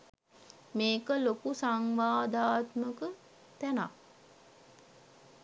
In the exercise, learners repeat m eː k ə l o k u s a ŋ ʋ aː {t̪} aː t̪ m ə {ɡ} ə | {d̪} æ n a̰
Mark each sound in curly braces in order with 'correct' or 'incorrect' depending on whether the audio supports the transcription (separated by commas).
incorrect, incorrect, incorrect